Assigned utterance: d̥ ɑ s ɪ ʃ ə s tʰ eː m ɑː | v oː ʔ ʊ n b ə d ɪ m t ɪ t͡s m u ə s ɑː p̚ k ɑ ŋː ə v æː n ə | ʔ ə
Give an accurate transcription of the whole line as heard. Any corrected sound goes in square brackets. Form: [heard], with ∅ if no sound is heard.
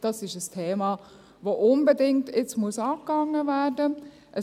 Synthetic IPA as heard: d̥ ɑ s ɪ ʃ ə s tʰ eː m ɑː | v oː ʔ ʊ n b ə d ɪ [ŋ] t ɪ t͡s m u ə s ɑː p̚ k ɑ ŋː ə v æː [d] ə | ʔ ə